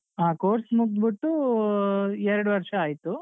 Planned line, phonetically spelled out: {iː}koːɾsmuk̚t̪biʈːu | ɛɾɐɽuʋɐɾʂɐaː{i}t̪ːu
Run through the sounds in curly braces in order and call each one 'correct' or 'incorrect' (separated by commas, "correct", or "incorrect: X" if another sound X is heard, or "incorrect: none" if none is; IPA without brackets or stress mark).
incorrect: aː, incorrect: j